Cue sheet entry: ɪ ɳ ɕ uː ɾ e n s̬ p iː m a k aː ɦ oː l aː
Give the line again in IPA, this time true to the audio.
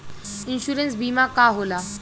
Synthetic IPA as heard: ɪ n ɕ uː ɾ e n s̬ b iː m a k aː ɦ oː l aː